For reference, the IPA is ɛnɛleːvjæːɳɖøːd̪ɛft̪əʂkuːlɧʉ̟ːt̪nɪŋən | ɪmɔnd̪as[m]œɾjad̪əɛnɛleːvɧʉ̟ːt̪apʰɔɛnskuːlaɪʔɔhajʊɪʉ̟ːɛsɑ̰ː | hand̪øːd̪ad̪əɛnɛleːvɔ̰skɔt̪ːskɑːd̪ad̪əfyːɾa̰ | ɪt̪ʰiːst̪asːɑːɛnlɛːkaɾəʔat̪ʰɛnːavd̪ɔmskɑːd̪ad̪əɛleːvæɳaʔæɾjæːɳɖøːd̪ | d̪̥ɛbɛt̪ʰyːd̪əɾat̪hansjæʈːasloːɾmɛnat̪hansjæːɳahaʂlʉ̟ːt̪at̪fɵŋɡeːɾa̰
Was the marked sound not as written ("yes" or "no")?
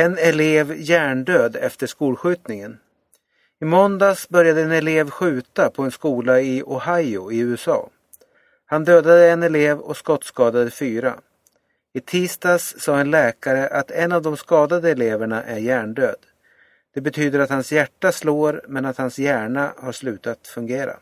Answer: yes